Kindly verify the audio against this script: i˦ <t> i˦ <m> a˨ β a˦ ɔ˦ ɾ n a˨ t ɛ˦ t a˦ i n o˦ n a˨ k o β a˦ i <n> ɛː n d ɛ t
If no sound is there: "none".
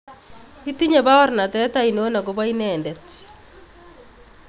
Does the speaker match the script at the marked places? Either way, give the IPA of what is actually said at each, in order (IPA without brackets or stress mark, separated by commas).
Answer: t, ɲ, n